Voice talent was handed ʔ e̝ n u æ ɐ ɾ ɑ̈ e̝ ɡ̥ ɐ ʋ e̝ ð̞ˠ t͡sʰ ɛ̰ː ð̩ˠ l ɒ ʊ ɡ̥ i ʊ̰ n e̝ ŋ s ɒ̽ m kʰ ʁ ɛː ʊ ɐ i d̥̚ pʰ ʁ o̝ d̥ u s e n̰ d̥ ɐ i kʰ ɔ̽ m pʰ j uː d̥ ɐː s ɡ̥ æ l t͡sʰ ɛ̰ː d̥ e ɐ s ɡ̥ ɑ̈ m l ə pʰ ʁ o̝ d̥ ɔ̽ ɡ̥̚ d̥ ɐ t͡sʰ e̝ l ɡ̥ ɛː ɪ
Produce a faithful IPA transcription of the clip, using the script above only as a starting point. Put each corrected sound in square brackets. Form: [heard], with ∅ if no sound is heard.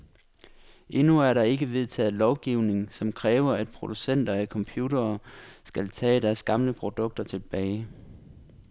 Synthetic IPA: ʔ e̝ n u æ ɐ ɾ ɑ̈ e̝ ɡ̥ [ə] ʋ e̝ ð̞ˠ t͡sʰ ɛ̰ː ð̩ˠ l ɒ ʊ ɡ̥ i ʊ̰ n e̝ ŋ s ɒ̽ m kʰ ʁ ɛː ʊ ɐ [æ] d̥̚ pʰ ʁ o̝ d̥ u s e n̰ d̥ ɐ [æ] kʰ [ɒ̽] m pʰ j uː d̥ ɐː s ɡ̥ æ l t͡sʰ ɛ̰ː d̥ [æ] ɐ s ɡ̥ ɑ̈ m l ə pʰ ʁ o̝ d̥ ɔ̽ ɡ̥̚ d̥ ɐ t͡sʰ e̝ l [b̥] ɛː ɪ